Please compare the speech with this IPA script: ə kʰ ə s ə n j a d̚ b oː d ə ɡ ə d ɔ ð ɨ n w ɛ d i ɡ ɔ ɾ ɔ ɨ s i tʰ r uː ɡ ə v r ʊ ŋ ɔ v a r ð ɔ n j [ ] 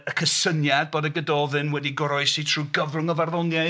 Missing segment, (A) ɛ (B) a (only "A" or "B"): B